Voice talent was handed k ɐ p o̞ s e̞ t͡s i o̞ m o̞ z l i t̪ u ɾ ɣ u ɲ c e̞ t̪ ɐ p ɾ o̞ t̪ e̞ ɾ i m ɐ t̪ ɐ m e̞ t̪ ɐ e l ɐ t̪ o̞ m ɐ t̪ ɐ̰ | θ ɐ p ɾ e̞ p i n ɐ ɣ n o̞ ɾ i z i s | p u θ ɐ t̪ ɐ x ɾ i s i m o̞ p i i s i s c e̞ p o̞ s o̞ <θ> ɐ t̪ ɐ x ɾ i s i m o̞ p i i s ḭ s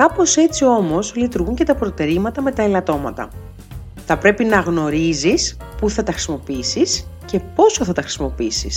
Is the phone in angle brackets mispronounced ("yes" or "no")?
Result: no